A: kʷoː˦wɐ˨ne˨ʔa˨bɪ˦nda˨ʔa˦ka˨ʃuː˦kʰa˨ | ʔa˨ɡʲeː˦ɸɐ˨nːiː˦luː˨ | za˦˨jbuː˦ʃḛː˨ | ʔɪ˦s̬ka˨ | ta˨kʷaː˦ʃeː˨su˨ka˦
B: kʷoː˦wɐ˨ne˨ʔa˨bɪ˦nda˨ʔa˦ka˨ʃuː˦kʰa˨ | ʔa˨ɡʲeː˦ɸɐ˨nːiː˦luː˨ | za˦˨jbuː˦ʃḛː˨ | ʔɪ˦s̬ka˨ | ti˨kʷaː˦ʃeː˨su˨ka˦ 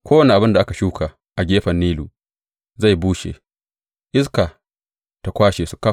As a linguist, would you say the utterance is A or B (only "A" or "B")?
A